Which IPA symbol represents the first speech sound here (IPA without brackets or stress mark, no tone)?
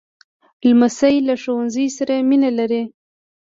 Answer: l